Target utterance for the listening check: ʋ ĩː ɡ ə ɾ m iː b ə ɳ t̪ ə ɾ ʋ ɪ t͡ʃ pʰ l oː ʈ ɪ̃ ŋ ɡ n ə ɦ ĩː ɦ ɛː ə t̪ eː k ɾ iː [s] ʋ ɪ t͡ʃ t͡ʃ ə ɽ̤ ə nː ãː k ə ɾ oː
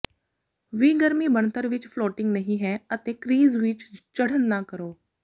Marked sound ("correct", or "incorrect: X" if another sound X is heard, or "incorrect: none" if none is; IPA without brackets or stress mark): incorrect: z